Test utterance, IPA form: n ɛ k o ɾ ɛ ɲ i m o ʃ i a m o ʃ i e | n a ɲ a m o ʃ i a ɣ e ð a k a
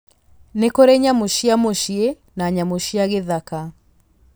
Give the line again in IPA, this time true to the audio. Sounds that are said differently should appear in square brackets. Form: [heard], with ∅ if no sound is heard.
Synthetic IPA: n [e] k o ɾ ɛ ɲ [a] m o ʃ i a m o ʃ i e | n a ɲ a m o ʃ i a ɣ e ð a k a